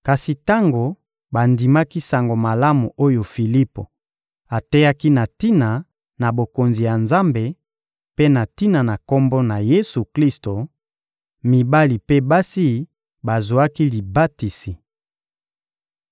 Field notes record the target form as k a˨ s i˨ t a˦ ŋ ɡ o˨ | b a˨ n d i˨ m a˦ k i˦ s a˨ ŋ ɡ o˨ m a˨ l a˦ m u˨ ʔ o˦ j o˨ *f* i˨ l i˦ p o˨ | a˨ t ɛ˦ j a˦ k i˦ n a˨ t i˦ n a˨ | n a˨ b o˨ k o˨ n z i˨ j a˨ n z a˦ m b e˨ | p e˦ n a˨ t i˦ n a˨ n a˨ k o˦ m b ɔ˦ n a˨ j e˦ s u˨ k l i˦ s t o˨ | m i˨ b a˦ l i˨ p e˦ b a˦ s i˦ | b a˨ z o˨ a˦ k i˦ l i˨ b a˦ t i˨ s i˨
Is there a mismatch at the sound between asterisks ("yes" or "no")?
no